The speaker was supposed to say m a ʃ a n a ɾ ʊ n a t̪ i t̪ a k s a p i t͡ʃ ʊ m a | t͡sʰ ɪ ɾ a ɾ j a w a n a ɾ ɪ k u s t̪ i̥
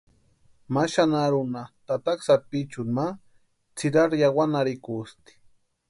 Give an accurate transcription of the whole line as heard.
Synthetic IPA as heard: m a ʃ a n a ɾ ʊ n a t̪ a t̪ a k s a p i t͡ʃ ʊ m a | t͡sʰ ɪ ɾ a ɾ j a w a n a ɾ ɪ k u s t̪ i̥